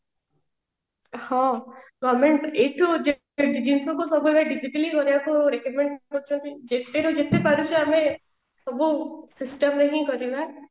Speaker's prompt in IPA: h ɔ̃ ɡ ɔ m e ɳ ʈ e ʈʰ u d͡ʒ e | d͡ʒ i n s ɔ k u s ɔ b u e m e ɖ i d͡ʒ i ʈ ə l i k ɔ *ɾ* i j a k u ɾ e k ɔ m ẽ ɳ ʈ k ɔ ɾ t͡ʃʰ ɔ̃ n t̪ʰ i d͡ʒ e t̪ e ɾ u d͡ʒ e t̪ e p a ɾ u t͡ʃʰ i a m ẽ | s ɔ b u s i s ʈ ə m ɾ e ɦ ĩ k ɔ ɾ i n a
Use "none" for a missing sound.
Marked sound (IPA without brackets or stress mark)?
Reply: ɾ